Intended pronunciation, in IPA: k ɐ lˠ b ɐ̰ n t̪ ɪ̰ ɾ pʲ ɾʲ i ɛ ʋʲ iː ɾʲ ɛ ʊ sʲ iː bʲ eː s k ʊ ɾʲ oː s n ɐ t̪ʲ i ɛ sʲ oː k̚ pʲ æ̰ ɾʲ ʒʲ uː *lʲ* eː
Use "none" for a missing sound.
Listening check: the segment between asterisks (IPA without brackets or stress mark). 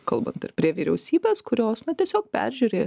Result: ɾʲ